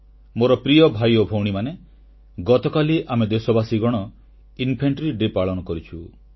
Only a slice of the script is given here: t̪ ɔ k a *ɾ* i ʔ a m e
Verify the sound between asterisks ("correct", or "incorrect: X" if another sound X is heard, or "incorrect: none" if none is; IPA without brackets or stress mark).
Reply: incorrect: l